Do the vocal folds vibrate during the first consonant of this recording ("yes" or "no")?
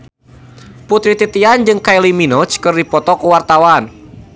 no